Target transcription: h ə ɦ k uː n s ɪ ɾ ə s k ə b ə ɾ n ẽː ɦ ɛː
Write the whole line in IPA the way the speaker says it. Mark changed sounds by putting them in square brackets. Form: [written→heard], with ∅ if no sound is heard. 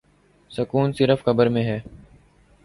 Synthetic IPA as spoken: [h→s] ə [ɦ→∅] k uː n s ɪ ɾ ə [s→f] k ə b ə ɾ [n→m] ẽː ɦ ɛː